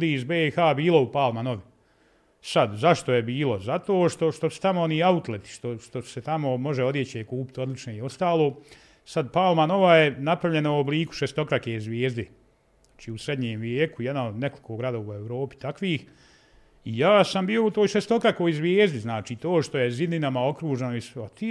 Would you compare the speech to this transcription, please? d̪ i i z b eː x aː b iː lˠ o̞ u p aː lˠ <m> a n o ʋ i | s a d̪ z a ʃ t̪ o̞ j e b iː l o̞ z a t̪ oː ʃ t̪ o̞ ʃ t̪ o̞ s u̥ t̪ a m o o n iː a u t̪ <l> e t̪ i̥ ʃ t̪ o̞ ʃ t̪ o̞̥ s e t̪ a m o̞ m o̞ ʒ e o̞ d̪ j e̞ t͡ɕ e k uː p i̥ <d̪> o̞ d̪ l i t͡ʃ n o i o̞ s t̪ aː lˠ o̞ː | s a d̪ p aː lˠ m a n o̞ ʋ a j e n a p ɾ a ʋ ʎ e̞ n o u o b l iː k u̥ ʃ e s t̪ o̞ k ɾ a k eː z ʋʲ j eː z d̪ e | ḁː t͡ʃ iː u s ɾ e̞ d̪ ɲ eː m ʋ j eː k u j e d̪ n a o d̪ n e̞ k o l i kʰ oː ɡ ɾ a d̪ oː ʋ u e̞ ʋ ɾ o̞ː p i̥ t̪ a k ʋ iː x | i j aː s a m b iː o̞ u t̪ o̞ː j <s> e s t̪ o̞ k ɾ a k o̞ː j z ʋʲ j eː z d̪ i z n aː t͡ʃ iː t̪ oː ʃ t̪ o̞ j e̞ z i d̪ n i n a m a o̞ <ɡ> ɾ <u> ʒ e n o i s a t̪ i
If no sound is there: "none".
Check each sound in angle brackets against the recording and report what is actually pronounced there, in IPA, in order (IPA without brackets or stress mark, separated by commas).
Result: m, l, t̪, ʃ, k, uː